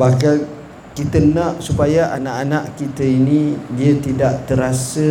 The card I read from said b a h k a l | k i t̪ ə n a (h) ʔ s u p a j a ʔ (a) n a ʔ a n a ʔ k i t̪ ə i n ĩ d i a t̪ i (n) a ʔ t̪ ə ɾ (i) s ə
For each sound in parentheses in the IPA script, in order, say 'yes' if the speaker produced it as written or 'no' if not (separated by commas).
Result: no, yes, no, no